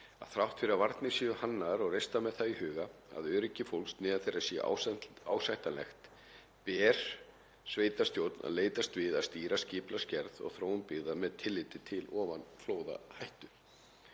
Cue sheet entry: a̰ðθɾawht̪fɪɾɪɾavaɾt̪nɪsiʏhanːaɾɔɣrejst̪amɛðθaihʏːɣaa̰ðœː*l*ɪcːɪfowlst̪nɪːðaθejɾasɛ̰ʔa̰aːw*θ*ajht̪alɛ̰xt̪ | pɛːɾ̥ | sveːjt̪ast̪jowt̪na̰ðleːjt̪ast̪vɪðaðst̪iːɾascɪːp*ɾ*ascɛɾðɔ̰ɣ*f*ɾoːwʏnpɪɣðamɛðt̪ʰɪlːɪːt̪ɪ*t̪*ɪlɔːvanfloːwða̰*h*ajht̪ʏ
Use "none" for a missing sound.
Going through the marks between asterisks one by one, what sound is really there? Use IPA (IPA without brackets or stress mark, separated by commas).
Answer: ɾ, s, l, θ, t̪ʰ, h